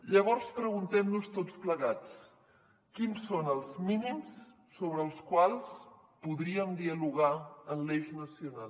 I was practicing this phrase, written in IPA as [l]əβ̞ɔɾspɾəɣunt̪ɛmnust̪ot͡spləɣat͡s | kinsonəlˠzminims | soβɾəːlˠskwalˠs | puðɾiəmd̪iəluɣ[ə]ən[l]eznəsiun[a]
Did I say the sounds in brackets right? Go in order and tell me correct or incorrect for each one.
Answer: incorrect, incorrect, correct, correct

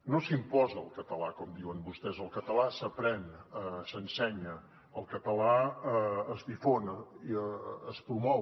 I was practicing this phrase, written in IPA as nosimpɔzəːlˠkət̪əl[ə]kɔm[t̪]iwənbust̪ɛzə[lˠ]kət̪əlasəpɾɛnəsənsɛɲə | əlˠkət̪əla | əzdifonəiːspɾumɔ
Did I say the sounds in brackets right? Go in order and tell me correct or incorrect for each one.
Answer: incorrect, incorrect, correct

